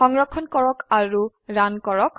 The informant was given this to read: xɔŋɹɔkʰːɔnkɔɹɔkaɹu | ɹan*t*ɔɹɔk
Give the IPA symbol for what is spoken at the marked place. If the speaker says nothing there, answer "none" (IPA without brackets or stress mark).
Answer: k